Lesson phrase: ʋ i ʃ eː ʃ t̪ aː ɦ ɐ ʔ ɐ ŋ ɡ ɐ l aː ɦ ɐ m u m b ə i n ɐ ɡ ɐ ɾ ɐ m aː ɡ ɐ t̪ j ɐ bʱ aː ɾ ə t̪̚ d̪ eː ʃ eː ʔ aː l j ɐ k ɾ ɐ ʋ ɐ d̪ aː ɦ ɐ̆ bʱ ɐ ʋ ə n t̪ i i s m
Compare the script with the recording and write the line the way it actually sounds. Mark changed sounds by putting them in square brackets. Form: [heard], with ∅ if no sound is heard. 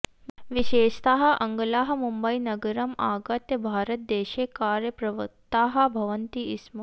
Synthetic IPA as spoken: ʋ i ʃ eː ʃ t̪ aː ɦ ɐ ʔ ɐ ŋ ɡ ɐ l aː ɦ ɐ m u m b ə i n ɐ ɡ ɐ ɾ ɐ m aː ɡ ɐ t̪ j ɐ bʱ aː ɾ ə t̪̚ d̪ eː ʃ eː [k] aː [ɾ] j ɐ [p] ɾ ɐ ʋ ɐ [t̪] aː ɦ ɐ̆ bʱ ɐ ʋ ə n t̪ i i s m